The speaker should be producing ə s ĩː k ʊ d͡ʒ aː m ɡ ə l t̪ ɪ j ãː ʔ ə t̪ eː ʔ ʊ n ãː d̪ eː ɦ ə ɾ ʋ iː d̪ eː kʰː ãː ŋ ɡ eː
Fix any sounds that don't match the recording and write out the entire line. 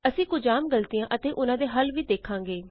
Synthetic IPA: ə s ĩː k ʊ d͡ʒ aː m ɡ ə l t̪ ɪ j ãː ʔ ə t̪ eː ʔ ʊ n ãː d̪ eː ɦ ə l ʋ iː d̪ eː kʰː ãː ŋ ɡ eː